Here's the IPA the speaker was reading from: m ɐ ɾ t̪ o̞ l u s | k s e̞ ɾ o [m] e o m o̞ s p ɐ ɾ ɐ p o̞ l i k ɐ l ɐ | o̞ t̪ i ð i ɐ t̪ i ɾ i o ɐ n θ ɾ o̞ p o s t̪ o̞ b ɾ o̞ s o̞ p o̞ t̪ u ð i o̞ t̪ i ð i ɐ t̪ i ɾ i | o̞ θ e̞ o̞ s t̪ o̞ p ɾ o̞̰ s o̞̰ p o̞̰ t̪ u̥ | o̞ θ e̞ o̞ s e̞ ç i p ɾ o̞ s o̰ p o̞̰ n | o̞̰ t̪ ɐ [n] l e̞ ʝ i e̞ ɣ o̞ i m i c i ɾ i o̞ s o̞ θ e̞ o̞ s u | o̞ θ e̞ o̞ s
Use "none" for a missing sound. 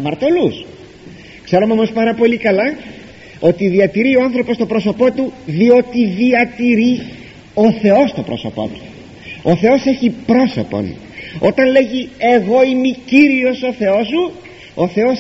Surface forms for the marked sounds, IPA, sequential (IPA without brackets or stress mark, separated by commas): m, n